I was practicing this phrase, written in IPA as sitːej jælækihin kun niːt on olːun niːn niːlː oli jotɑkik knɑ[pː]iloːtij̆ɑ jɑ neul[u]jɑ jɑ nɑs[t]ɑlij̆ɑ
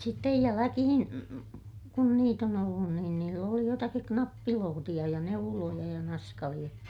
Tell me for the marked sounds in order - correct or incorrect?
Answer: correct, incorrect, incorrect

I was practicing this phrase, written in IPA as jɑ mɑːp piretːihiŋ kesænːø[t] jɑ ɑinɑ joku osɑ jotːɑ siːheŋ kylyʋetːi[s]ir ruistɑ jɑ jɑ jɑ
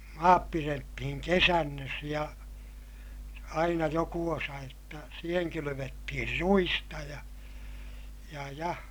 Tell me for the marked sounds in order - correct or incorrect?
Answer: incorrect, incorrect

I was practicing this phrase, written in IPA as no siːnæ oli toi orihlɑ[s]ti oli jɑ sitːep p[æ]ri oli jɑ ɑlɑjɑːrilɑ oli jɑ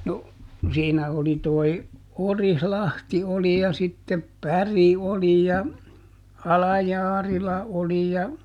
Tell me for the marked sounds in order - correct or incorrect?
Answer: incorrect, correct

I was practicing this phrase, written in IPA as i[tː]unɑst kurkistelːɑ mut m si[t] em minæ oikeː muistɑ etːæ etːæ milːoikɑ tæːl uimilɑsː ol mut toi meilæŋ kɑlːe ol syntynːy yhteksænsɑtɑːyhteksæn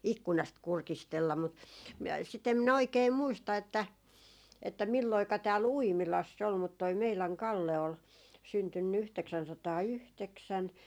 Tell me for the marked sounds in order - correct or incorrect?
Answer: incorrect, correct

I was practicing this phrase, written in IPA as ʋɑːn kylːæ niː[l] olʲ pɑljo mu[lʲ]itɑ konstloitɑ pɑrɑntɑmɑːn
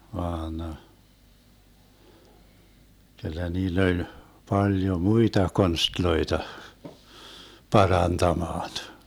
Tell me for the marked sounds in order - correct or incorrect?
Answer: incorrect, incorrect

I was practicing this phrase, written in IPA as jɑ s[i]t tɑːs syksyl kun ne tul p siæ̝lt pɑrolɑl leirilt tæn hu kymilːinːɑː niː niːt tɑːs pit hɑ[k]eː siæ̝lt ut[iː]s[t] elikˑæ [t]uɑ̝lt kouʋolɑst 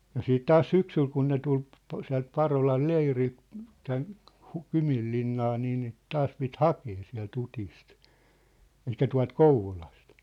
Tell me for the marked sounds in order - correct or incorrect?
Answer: incorrect, correct, incorrect, correct, correct

